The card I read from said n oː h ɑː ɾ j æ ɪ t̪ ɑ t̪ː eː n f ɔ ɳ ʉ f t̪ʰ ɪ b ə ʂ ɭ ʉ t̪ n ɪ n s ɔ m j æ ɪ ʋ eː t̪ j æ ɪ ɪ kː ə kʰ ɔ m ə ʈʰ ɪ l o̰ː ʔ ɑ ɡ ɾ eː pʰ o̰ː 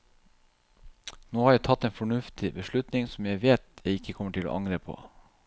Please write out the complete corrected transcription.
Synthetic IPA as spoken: n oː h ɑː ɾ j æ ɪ t̪ʰ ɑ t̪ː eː n f ɔ ɳ ʉ f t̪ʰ ɪ b ə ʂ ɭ ʉ t̪ n ɪ ŋ s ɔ m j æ ɪ ʋ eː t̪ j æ ɪ ɪ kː ə kʰ ɔ m ə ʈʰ ɪ l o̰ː ʔ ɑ ŋ ɾ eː pʰ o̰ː